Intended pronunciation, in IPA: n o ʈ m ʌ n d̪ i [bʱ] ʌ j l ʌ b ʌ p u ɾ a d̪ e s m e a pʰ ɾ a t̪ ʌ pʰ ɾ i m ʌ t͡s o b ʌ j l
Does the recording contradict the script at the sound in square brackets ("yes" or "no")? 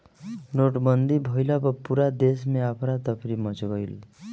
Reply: no